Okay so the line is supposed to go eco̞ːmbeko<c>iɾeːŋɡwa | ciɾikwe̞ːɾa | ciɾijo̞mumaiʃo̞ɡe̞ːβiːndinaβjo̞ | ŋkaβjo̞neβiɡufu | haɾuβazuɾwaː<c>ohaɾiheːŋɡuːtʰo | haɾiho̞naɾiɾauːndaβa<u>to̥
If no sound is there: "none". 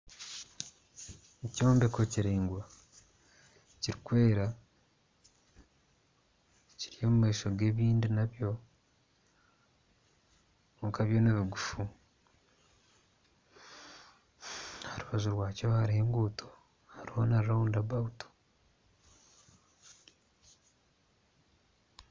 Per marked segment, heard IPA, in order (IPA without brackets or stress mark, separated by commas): c, c, u